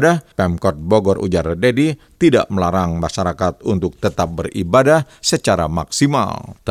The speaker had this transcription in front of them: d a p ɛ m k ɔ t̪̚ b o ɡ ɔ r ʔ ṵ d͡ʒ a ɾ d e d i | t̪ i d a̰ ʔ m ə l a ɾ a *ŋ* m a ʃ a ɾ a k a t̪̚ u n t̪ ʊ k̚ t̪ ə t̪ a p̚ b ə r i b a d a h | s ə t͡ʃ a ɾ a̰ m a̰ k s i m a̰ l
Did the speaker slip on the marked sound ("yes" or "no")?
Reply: no